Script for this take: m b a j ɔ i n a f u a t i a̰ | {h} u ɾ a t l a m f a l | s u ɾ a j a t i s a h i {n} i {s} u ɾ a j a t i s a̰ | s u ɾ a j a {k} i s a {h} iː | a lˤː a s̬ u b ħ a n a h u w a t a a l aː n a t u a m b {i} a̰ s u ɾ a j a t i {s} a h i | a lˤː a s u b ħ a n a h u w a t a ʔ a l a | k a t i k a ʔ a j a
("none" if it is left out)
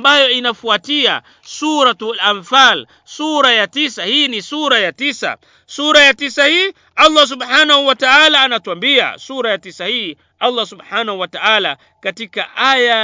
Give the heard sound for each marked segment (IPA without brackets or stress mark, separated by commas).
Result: s, n, s, t, h, i, s